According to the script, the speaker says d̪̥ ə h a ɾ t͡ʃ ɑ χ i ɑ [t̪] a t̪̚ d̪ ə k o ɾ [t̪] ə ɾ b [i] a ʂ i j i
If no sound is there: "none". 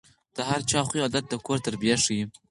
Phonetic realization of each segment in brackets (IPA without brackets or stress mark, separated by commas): d̪, t̪, j